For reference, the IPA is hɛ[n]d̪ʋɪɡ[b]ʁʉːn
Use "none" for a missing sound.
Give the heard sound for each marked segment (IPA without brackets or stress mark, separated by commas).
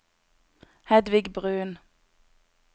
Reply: none, b